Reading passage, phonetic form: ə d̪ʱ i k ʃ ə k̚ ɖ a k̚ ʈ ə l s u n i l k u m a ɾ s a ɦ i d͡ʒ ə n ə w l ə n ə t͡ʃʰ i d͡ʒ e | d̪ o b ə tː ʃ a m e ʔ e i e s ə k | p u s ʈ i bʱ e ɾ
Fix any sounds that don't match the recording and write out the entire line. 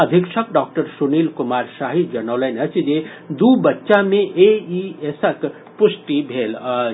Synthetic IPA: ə d̪ʱ i k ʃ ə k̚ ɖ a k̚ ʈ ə ɾ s u n i l k u m a ɾ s a ɦ i d͡ʒ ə n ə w l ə n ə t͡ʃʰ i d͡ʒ e | d̪ u b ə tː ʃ a m e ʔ e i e s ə k | p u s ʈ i bʱ e l

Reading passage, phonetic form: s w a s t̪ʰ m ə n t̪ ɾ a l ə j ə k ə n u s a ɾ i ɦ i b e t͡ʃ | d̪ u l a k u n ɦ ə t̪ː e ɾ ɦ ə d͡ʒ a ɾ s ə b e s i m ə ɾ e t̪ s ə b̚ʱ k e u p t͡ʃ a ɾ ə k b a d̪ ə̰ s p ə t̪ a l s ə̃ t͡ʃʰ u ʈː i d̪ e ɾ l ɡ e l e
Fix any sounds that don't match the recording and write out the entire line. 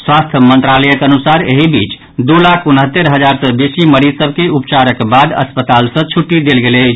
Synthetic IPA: s w a s t̪ʰ m ə n t̪ ɾ a l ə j ə k ə n u s a ɾ e ɦ i b i t͡ʃ | d̪ u l a kʰ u n ɦ ə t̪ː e ɾ ɦ ə d͡ʒ a ɾ s ə b e s i m ə ɾ i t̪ s ə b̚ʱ k e u p t͡ʃ a ɾ ə k b a d̪ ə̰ s p ə t̪ a l s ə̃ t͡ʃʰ u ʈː i d̪ e l ɡ e l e

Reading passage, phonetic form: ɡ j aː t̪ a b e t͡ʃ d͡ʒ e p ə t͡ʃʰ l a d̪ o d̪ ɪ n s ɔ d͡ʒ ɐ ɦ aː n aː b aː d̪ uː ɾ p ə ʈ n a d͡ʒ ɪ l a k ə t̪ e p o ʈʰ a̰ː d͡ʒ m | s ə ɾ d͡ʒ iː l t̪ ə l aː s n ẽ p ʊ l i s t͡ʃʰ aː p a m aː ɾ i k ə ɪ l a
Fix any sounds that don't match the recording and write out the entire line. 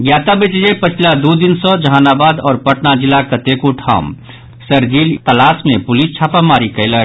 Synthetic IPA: ɡ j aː t̪ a b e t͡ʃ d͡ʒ e p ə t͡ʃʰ l a d̪ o d̪ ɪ n s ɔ d͡ʒ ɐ ɦ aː n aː b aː d̪ ɔː ɾ p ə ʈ n a d͡ʒ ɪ l a k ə t̪ e k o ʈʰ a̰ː m | s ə ɾ d͡ʒ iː l t̪ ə l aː s m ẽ p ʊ l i s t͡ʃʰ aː p a m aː ɾ i k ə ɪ l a

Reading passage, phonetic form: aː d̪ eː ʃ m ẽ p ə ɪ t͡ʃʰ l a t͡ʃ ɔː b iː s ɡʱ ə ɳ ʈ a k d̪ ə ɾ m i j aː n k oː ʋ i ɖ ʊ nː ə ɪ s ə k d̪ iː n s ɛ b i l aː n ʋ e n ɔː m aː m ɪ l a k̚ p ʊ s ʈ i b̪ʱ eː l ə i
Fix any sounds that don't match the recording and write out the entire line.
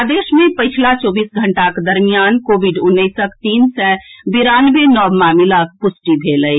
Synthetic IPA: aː d̪ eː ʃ m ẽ p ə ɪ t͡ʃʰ l a t͡ʃ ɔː b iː s ɡʱ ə ɳ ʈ a k d̪ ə ɾ m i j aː n k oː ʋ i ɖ ʊ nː ə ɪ s ə k t̪ iː n s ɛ b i ɾ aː n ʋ e n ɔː m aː m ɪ l a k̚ p ʊ s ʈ i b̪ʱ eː l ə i

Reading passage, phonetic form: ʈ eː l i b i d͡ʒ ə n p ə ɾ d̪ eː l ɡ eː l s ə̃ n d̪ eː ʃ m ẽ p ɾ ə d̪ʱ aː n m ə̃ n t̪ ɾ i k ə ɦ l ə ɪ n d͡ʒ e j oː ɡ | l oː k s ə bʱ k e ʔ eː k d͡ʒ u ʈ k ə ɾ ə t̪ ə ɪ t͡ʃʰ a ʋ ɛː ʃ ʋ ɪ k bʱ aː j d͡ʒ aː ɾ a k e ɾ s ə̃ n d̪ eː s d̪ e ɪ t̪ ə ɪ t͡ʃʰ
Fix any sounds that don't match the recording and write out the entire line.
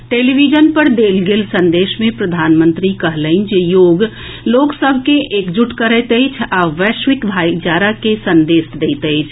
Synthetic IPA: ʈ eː l i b i d͡ʒ ə n p ə ɾ d̪ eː l ɡ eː l s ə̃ n d̪ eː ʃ m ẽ p ɾ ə d̪ʱ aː n m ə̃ n t̪ ɾ i k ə ɦ l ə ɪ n d͡ʒ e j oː ɡ | l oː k s ə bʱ k e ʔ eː k d͡ʒ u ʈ k ə ɾ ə t̪ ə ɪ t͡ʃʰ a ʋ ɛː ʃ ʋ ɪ k bʱ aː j d͡ʒ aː ɾ a k e s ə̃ n d̪ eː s d̪ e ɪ t̪ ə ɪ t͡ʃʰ

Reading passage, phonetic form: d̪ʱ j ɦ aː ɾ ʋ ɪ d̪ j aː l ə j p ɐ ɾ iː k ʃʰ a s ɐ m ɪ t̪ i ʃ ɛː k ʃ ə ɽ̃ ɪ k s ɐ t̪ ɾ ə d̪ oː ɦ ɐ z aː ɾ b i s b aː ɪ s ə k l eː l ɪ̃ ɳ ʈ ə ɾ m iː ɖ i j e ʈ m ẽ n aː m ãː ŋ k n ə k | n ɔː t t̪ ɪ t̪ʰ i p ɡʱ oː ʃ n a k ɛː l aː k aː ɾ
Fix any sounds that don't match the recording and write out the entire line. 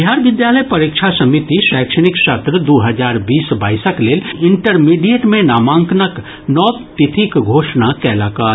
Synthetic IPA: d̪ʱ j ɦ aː ɾ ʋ ɪ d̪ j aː l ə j p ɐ ɾ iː k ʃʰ a s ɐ m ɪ t̪ i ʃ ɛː k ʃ ə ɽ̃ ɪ k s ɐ t̪ ɾ ə d̪ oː ɦ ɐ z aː ɾ b iː s b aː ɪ s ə k l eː l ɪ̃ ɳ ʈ ə ɾ m iː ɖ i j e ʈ m ẽ n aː m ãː ŋ k n ə k | n ɔː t t̪ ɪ t̪ʰ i k ɡʱ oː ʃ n a k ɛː l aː k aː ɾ

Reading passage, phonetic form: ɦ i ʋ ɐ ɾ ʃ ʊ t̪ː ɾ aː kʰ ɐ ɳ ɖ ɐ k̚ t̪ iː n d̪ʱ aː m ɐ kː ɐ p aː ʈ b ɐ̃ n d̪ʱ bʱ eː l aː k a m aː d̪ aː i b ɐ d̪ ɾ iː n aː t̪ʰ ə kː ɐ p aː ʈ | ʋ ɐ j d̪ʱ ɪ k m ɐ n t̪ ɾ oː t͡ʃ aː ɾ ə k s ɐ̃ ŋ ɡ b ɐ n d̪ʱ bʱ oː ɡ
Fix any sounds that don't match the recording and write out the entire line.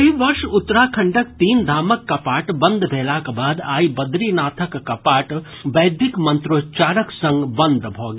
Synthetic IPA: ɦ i ʋ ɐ ɾ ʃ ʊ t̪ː ɾ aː kʰ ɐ ɳ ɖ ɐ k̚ t̪ iː n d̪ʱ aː m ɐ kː ɐ p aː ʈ b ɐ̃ n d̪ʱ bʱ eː l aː k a b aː d̪ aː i b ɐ d̪ ɾ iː n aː t̪ʰ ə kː ɐ p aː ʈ | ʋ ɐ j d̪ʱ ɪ k m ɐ n t̪ ɾ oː t͡ʃ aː ɾ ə k s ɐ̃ ŋ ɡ b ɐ n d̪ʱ bʱ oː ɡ

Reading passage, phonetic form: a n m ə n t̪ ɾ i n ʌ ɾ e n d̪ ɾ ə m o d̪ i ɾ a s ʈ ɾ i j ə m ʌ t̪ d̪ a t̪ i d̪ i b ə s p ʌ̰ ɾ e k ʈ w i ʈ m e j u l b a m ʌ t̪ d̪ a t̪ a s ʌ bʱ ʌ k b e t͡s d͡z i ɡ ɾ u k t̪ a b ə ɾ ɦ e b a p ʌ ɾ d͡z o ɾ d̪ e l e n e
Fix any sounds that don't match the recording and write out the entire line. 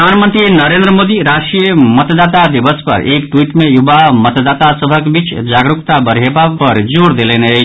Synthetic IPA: a n m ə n t̪ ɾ i n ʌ ɾ e n d̪ ɾ ə m o d̪ i ɾ a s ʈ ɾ i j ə m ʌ t̪ d̪ a t̪ a d̪ i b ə s p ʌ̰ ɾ e k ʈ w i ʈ m e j u b a m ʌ t̪ d̪ a t̪ a s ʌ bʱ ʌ k b i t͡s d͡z a ɡ ɾ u k t̪ a b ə ɾ ɦ e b a p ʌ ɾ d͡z o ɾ d̪ e l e n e

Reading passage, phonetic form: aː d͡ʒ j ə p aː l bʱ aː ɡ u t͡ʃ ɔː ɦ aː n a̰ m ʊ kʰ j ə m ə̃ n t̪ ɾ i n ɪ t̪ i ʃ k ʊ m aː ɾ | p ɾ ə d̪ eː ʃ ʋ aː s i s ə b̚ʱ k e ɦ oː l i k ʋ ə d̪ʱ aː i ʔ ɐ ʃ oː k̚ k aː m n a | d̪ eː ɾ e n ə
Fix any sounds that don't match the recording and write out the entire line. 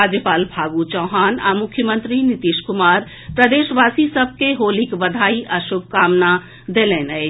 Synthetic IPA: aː d͡ʒ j ə p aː l bʱ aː ɡ u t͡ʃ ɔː ɦ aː n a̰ m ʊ kʰ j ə m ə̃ n t̪ ɾ i n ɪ t̪ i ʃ k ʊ m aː ɾ | p ɾ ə d̪ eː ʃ ʋ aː s i s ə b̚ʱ k e ɦ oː l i k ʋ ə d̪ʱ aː i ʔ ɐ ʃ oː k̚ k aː m n a | d̪ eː l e n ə

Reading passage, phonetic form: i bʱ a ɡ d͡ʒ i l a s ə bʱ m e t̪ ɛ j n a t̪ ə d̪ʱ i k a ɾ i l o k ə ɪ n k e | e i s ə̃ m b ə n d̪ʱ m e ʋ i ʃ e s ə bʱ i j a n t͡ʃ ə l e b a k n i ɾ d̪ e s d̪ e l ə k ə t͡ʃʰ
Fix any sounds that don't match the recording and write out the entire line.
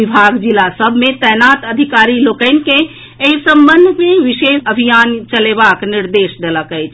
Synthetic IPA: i bʱ a ɡ d͡ʒ i l a s ə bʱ m e t̪ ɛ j n a t̪ ə d̪ʱ i k a ɾ i l o k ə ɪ n k e | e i s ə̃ m b ə n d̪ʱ m e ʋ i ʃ e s ə bʱ i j a n t͡ʃ ə l e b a k n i ɾ d̪ e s d̪ e l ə k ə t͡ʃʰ

